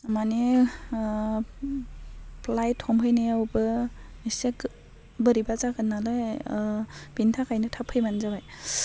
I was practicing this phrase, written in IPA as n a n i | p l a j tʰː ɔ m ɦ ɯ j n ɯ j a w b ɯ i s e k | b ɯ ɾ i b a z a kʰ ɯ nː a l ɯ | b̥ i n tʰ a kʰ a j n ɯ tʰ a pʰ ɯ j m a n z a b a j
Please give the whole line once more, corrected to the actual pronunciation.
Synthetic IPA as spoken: m a n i | p l a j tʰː ɔ m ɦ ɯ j n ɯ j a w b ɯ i s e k | b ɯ ɾ i b a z a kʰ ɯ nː a l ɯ | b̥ i n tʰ a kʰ a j n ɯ tʰ a pʰ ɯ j m a n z a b a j